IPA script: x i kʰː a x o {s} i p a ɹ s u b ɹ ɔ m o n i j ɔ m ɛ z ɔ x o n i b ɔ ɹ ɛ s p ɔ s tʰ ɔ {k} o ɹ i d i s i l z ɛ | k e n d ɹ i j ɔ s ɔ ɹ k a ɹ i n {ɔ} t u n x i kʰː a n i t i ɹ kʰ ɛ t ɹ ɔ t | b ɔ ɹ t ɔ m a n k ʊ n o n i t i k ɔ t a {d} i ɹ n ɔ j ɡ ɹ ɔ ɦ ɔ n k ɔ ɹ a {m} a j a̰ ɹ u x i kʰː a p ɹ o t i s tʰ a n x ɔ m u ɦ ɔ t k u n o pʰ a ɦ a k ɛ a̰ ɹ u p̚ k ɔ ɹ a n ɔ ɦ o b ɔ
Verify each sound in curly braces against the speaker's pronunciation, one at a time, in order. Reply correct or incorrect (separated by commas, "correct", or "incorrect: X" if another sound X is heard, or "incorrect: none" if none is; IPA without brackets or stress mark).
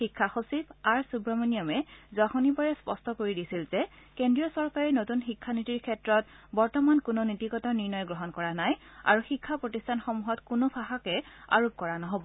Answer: correct, correct, incorrect: o, incorrect: n, incorrect: n